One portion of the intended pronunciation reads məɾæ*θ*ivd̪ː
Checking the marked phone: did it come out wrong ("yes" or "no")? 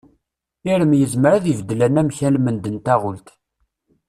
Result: yes